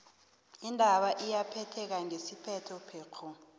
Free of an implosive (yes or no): no